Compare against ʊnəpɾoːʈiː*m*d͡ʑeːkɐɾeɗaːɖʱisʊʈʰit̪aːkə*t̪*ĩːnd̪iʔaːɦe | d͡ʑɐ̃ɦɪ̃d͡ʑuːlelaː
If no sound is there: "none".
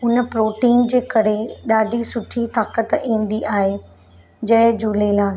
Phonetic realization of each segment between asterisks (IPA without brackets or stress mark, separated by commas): n, t̪